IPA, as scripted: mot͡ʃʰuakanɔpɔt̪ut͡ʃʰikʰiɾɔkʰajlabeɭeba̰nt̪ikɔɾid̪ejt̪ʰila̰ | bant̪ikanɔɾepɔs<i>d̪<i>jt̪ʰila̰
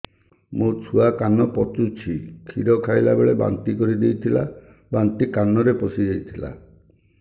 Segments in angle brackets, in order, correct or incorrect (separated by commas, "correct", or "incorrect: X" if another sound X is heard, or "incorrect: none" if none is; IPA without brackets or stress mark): correct, incorrect: e